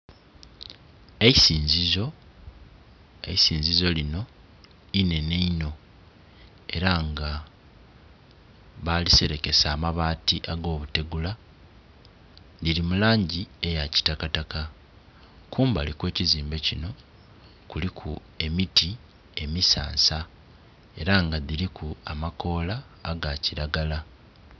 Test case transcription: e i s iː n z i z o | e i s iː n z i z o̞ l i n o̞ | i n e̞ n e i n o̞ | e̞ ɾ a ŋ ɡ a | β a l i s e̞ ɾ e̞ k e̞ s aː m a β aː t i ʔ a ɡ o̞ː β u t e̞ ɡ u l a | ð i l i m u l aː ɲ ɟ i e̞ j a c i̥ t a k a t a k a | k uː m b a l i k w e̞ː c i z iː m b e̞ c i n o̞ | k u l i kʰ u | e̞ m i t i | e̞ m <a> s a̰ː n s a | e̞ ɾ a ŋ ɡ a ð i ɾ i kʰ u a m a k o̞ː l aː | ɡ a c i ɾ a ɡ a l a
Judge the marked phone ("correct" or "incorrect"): incorrect